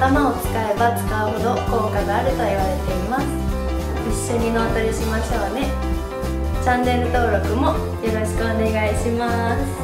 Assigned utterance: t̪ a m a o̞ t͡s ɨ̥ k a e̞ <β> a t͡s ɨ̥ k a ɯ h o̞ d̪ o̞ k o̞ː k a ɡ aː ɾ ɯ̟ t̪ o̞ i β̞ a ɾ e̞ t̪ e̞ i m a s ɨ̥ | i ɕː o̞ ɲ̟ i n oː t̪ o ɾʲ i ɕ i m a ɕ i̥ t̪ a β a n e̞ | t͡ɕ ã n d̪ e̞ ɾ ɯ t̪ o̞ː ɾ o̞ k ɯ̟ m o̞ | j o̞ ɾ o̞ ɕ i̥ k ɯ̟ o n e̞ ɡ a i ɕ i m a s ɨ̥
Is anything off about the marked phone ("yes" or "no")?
yes